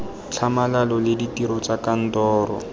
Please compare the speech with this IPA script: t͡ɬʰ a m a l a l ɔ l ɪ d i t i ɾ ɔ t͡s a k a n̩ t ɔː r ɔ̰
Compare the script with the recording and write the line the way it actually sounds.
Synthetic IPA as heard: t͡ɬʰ a m a l a l ɔ l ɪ d i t i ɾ ɔ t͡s a k a n̩ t ɔː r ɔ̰